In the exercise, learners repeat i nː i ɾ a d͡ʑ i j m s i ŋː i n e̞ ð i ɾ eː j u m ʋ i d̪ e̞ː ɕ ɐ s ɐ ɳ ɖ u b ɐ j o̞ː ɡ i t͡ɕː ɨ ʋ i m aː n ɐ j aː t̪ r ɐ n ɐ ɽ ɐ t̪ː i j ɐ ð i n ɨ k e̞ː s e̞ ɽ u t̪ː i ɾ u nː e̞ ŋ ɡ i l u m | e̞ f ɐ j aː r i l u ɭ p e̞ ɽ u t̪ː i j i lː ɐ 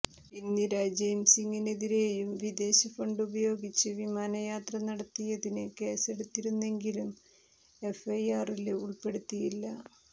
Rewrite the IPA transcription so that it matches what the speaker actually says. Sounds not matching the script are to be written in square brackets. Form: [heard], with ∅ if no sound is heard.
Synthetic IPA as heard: i nː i ɾ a d͡ʑ [e] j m s i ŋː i n e̞ ð i ɾ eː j u m ʋ i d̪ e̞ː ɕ ɐ [f] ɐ ɳ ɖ u b ɐ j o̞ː ɡ i t͡ɕː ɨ ʋ i m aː n ɐ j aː t̪ r ɐ n ɐ ɽ ɐ t̪ː i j ɐ ð i n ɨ k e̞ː s e̞ ɽ u t̪ː i ɾ u nː e̞ ŋ ɡ i l u m | e̞ f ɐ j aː r i l u ɭ p e̞ ɽ u t̪ː i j i lː ɐ

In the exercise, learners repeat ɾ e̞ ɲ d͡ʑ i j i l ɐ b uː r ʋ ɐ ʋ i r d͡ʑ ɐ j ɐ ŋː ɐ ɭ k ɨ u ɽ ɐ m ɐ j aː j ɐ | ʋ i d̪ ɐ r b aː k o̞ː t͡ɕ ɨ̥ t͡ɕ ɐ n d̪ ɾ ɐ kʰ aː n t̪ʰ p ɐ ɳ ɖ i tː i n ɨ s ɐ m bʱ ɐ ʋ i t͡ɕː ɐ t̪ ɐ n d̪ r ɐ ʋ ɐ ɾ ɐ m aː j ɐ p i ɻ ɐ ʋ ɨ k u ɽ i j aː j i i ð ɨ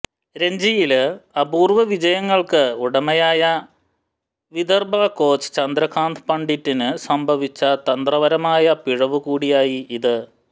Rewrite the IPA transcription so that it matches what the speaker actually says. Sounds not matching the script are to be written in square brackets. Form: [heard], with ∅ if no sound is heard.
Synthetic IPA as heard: ɾ e̞ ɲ d͡ʑ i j i l ɐ b uː r ʋ ɐ ʋ i [∅] d͡ʑ ɐ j ɐ ŋː ɐ ɭ k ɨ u ɽ ɐ m ɐ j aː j ɐ | ʋ i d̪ ɐ r b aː k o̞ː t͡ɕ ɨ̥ t͡ɕ ɐ n d̪ ɾ ɐ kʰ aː n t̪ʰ p ɐ ɳ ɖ i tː i n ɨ s ɐ m bʱ ɐ ʋ i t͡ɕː ɐ t̪ ɐ n d̪ r ɐ ʋ ɐ ɾ ɐ m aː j ɐ p i ɻ ɐ ʋ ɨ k [uː] ɽ i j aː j i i ð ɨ

